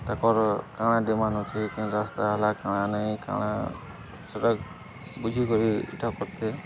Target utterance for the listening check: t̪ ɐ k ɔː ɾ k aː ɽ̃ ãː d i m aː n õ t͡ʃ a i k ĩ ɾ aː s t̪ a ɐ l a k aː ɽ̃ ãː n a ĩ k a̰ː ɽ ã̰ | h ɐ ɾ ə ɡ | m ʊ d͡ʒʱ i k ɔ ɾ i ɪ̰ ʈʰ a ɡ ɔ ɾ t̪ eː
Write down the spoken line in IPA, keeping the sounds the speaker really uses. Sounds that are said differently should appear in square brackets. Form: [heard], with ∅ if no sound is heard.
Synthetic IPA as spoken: t̪ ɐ k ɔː ɾ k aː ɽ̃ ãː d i m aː n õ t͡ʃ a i k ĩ ɾ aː s t̪ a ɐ l a k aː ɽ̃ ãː n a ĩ k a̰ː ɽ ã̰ | [s] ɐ ɾ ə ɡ | [b] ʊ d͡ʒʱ i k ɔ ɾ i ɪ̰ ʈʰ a [k] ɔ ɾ t̪ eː